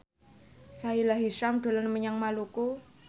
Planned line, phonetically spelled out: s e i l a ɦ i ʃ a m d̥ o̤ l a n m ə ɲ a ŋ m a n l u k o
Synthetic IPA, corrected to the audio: s a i l a ɦ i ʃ a m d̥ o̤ l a n m ə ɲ a ŋ m a l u k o